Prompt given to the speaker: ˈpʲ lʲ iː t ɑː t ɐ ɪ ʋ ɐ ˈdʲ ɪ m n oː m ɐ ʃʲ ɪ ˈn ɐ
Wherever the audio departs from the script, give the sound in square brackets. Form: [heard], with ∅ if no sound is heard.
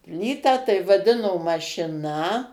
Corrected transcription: ˈpʲ lʲ iː t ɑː t ɐ ɪ ʋ ɐ ˈdʲ ɪ [∅] n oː m ɐ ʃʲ ɪ ˈn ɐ